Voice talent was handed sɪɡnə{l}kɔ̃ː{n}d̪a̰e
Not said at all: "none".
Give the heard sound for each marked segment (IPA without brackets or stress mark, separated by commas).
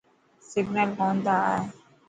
l, n